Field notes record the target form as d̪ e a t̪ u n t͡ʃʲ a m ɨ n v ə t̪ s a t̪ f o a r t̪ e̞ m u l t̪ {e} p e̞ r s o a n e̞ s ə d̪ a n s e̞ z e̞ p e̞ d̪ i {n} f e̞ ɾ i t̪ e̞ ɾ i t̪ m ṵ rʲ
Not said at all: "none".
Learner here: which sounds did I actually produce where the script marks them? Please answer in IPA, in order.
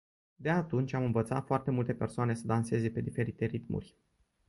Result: e, none

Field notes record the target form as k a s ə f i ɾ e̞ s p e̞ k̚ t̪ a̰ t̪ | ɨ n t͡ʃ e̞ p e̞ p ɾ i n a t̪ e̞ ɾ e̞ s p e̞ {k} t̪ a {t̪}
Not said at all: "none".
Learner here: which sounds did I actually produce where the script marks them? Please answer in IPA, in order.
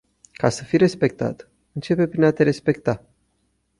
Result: k, none

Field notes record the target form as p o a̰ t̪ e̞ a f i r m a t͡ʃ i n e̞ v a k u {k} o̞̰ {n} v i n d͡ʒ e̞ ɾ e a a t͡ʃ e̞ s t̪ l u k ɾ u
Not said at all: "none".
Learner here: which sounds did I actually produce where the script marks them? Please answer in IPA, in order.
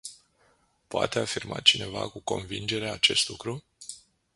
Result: k, n

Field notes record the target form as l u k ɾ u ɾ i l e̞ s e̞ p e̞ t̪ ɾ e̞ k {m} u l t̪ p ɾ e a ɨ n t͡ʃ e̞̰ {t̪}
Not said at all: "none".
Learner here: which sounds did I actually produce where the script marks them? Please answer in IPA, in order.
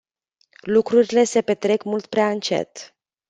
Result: m, t̪

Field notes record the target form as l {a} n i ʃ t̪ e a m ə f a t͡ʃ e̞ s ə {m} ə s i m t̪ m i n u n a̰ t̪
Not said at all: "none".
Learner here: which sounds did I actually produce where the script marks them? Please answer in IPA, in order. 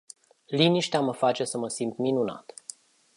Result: i, m

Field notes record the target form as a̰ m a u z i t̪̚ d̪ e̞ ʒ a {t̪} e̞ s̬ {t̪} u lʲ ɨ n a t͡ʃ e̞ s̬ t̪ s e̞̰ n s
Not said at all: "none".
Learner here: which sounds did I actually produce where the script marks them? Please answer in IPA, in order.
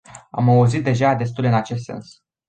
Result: d̪, t̪

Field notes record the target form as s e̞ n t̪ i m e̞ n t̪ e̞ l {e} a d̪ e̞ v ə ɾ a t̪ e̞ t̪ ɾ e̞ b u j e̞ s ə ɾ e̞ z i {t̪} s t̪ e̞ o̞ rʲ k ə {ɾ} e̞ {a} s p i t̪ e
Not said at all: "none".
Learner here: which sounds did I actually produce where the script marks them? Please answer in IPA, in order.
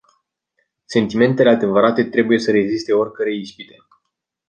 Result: e, none, ɾ, i

